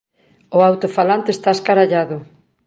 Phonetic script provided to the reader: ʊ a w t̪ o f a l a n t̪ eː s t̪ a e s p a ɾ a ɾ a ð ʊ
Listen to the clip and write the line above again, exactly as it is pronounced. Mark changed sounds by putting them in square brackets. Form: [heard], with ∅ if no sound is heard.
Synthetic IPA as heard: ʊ a w t̪ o f a l a n t̪ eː s t̪ a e s [k] a ɾ a [ʎ] a ð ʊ